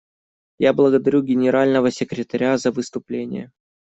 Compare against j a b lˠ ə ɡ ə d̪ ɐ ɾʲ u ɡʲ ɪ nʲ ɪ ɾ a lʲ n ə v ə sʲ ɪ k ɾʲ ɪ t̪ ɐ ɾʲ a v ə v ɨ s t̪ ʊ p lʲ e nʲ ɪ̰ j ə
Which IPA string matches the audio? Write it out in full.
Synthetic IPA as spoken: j a b lˠ ə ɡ ə d̪ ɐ ɾʲ u ɡʲ ɪ nʲ ɪ ɾ a lʲ n ə v ə sʲ ɪ k ɾʲ ɪ t̪ ɐ ɾʲ a z ə v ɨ s t̪ ʊ p lʲ e nʲ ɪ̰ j ə